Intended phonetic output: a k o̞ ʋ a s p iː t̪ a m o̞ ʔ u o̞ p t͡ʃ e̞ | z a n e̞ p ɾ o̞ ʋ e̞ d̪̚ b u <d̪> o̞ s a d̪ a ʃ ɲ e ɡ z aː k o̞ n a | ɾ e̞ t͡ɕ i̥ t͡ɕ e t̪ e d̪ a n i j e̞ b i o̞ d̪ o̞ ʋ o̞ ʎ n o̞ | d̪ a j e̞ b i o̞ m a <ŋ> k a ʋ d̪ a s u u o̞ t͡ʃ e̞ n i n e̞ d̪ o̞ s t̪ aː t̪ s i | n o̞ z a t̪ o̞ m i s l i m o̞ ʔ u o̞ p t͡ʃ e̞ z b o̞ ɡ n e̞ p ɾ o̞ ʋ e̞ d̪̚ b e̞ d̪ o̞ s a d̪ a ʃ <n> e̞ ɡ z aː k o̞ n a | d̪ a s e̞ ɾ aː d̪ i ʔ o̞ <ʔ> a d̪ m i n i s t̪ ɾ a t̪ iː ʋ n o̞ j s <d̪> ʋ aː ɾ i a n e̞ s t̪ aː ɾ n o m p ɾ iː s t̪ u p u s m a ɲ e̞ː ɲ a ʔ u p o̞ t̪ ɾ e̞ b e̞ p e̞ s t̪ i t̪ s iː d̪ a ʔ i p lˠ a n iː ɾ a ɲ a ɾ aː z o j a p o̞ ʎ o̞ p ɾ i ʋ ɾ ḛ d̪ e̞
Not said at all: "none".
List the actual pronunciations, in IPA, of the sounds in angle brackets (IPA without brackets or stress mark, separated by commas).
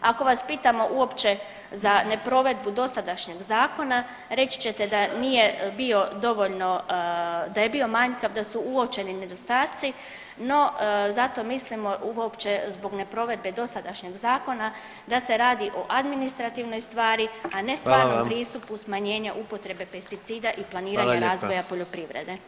d̪, ɲ, ɲ, ʔ, t̪